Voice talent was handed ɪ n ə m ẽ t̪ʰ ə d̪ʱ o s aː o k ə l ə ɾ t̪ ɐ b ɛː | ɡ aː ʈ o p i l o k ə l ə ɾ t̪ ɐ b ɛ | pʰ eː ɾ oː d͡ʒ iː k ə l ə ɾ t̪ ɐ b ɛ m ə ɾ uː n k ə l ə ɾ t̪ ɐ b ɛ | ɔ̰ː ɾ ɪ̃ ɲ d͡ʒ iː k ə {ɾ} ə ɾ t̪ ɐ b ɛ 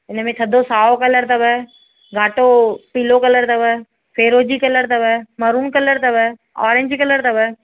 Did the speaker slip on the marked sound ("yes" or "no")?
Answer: yes